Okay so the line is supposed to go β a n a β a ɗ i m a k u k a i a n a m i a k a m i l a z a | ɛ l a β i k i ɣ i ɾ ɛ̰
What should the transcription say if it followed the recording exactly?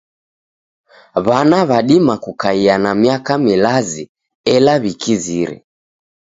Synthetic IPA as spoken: β a n a β a ɗ i m a k u k a i a n a m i a k a m i l a z i | ɛ l a β i k i z i ɾ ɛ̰